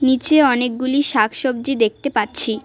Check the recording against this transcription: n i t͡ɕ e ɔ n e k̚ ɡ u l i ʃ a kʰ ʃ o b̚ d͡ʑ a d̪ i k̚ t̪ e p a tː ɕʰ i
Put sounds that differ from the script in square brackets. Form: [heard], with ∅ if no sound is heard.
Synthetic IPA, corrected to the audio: n i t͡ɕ e ɔ n e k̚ ɡ u l i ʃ a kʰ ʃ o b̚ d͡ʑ [i] d̪ [e] k̚ t̪ e p a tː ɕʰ i